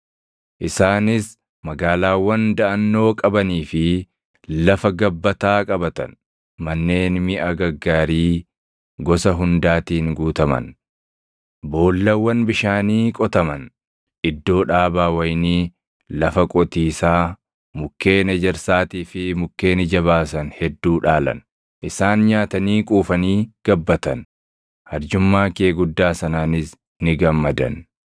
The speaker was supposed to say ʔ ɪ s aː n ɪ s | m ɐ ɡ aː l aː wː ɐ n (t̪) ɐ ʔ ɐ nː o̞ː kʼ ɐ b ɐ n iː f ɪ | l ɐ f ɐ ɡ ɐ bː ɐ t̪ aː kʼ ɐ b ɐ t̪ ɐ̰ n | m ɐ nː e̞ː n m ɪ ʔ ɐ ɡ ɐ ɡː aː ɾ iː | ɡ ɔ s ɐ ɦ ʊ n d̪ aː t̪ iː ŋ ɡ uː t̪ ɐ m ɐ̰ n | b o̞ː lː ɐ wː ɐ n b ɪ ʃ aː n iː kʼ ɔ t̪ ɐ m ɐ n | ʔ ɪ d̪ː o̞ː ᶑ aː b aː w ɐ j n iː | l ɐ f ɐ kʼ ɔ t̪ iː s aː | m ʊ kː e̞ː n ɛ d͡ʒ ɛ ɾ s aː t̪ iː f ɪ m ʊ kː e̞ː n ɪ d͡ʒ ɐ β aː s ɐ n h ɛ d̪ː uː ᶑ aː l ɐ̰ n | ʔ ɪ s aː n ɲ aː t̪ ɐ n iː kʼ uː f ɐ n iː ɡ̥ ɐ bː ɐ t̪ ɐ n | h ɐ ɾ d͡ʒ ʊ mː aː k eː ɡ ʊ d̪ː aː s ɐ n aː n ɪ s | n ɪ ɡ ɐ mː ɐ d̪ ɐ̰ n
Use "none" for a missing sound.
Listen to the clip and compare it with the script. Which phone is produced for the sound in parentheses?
d̪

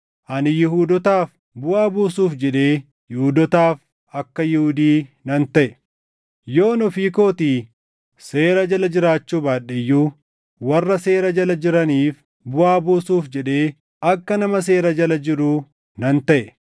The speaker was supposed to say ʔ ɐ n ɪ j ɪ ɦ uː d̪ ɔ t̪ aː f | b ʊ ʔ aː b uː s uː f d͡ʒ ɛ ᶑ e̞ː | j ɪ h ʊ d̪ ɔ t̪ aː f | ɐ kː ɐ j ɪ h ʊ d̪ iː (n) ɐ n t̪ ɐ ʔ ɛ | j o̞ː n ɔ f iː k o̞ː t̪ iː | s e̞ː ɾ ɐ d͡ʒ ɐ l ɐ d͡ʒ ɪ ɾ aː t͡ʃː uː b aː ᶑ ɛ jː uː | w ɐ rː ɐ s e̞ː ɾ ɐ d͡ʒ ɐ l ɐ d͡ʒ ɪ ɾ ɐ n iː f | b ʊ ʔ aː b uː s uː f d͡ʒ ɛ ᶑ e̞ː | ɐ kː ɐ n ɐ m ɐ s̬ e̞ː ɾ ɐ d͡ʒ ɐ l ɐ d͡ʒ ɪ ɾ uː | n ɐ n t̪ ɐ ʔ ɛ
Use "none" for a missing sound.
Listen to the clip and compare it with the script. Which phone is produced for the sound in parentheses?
n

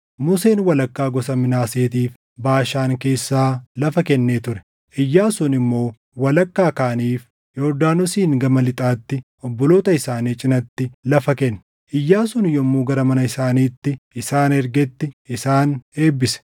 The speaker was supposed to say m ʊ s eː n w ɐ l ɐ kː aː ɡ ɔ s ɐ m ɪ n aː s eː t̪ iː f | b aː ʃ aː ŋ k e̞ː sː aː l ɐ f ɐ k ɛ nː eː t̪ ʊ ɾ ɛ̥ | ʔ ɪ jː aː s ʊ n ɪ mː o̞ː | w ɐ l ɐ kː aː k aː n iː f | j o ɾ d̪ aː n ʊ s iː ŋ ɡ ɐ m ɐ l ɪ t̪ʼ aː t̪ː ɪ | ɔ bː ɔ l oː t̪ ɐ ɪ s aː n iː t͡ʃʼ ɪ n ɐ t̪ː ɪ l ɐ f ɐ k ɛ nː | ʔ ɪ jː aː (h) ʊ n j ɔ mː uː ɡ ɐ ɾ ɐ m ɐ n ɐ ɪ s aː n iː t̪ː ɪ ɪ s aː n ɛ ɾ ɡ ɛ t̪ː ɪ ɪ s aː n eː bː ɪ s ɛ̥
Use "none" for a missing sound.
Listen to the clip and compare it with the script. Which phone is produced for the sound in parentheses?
s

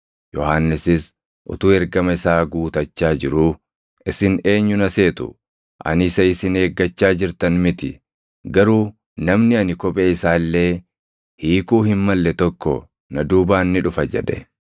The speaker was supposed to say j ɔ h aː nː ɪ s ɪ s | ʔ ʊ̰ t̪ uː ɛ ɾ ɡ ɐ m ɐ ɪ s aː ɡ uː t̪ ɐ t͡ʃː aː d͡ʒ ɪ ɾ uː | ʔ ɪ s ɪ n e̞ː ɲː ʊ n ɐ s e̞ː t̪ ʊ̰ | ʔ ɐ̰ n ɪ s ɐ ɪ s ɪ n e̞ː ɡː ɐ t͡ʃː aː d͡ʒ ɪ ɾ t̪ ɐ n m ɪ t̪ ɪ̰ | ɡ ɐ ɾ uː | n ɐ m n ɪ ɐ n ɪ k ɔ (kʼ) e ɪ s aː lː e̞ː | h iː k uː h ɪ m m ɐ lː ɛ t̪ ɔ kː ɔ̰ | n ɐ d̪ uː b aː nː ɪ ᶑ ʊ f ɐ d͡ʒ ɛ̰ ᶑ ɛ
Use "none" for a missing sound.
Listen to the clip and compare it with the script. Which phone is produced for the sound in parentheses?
pʼ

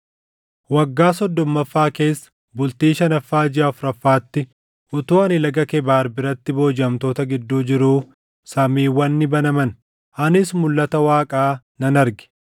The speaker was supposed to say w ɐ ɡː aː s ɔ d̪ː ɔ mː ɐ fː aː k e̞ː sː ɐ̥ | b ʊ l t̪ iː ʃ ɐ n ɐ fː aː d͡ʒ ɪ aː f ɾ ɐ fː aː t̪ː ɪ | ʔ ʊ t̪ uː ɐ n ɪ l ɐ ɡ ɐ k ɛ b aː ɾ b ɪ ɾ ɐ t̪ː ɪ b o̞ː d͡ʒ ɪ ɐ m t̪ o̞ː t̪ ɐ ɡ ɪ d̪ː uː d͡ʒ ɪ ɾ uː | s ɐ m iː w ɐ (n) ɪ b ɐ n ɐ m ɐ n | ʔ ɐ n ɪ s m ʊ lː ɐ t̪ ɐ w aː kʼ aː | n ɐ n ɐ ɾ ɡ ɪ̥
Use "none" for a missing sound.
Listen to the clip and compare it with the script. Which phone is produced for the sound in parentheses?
nː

